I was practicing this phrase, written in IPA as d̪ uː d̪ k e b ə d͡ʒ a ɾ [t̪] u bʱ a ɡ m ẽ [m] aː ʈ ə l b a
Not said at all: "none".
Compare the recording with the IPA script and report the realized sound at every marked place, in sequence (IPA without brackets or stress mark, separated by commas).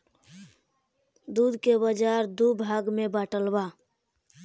d̪, b